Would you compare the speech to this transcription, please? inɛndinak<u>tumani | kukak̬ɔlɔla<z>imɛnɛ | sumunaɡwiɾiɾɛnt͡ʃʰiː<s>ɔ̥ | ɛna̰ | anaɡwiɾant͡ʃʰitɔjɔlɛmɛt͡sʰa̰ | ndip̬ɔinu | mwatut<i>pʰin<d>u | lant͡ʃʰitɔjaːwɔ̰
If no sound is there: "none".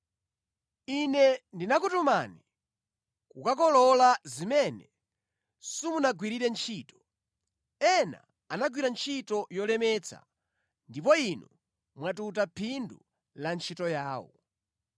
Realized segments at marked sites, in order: u, z, t, a, d

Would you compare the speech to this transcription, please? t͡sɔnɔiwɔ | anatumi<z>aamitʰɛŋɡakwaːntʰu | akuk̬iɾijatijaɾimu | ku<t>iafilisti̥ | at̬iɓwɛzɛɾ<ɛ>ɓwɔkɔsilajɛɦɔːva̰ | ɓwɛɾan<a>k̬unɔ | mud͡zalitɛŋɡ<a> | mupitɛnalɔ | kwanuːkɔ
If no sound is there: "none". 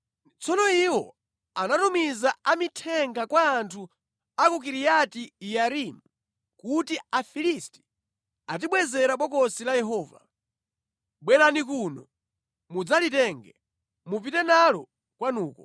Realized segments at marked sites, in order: z, t, a, i, ɛ

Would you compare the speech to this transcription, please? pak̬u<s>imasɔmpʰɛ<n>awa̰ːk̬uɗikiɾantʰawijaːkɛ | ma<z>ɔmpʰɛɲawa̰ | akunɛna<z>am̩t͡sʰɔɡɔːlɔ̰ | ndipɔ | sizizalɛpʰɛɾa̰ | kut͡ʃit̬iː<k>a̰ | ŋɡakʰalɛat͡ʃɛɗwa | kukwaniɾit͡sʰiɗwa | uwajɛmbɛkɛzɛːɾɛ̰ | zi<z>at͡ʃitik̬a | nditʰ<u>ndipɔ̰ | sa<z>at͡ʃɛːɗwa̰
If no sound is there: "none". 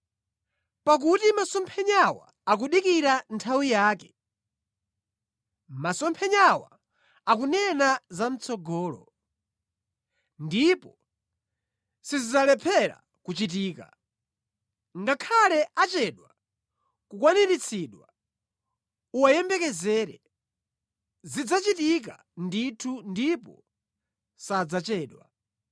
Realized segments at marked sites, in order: t, ɲ, s, z, k, d͡z, u, d͡z

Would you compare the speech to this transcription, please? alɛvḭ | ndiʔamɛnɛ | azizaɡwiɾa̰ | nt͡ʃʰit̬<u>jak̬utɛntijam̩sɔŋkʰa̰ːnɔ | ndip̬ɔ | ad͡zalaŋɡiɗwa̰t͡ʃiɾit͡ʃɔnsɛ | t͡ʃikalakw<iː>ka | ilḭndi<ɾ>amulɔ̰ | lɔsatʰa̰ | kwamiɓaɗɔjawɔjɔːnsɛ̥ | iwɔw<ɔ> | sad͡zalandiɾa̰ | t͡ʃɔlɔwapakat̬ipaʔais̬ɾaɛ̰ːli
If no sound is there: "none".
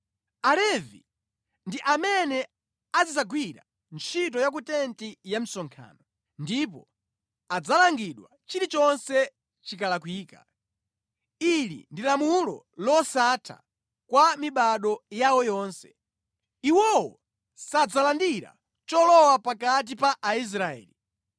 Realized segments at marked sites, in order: ɔ, iː, l, ɔ

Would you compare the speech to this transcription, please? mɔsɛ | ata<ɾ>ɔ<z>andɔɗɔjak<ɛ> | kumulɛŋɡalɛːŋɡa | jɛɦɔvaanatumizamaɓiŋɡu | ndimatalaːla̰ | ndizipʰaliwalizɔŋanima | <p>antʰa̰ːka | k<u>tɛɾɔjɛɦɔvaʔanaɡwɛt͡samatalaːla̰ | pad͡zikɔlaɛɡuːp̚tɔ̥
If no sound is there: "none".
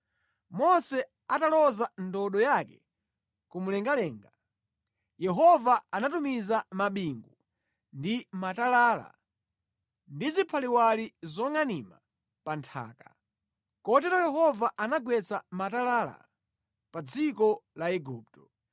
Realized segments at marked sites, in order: l, z, ɛ, p, ɔ

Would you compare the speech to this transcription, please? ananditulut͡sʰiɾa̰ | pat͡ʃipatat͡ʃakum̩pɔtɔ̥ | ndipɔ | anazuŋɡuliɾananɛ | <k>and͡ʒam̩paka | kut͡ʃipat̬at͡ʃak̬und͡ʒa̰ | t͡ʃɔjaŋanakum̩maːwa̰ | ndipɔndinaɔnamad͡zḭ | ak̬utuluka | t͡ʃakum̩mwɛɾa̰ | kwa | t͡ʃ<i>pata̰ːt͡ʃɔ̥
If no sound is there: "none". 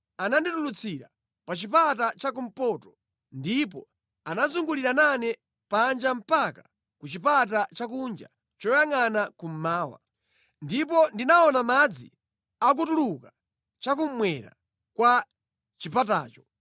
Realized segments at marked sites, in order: p, i

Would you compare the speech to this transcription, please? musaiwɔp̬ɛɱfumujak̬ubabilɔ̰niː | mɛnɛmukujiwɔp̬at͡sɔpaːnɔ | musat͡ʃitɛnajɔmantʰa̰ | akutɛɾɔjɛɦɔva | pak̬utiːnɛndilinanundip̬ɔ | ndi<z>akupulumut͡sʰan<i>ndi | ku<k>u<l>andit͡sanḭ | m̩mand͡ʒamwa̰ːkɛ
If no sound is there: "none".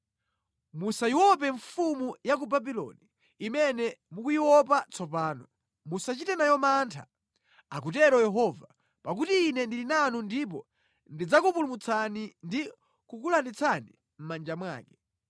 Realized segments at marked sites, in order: d͡z, i, k, l

